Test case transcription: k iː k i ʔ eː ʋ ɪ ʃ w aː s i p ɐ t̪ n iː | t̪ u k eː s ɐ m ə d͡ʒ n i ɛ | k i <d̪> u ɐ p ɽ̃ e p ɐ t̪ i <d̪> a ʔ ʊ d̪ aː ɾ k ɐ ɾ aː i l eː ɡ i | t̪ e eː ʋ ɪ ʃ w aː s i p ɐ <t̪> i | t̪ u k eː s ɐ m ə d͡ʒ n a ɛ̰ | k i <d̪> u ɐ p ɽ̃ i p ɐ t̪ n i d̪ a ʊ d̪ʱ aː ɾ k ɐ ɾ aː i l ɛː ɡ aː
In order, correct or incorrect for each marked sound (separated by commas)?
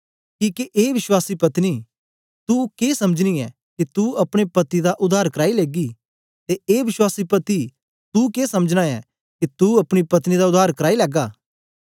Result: incorrect, correct, correct, incorrect